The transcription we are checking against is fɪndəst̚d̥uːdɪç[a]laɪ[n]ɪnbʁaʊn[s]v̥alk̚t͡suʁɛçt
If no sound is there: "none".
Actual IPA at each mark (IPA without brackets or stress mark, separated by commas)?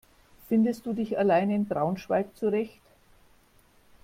a, n, ʃ